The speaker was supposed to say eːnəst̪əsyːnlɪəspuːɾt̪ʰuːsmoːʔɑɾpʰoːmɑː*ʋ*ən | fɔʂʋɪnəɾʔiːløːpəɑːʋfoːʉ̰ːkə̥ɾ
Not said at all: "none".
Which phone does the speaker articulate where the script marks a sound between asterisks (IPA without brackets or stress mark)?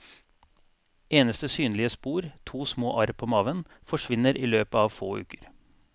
ʋ